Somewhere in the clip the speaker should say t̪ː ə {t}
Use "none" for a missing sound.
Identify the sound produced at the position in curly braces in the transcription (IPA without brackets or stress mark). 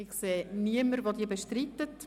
t